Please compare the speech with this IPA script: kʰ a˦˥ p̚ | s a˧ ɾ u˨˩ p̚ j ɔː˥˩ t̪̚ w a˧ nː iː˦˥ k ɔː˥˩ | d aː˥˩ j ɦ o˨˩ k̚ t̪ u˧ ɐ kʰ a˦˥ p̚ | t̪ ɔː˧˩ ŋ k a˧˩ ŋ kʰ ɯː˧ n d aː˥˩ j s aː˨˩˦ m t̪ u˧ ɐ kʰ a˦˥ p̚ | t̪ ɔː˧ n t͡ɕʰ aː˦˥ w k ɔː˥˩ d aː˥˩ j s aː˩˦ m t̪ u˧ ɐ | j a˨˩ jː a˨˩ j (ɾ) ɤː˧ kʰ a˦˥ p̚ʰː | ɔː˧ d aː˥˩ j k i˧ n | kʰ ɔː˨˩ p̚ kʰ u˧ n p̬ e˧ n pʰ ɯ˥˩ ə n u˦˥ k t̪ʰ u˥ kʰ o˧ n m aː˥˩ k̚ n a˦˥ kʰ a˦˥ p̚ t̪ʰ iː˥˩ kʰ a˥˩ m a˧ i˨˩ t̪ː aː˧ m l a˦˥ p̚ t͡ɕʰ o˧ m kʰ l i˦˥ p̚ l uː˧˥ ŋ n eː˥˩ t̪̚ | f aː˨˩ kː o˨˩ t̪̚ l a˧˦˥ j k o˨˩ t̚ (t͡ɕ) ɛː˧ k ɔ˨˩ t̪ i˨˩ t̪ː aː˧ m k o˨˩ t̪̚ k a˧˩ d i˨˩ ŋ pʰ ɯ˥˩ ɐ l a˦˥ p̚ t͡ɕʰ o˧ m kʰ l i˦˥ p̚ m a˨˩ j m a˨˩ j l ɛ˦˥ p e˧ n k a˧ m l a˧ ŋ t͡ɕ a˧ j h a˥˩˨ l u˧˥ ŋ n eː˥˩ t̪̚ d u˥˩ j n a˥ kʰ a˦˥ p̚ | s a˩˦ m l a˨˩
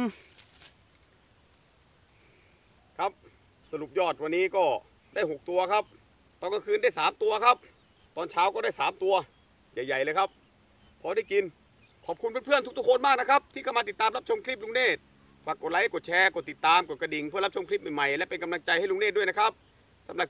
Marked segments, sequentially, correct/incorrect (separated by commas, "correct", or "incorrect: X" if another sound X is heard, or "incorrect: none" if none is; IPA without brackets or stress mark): incorrect: l, incorrect: t͡ɕʰ